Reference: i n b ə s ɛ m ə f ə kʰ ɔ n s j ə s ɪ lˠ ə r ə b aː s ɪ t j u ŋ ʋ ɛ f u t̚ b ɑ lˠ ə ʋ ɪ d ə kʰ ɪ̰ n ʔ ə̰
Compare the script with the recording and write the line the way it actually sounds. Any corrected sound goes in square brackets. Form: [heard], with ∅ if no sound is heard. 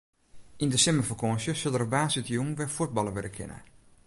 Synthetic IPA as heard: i n [d] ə s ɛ m ə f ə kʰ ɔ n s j ə s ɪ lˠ ə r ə b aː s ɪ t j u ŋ ʋ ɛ f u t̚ b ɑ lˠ ə ʋ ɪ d ə kʰ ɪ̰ n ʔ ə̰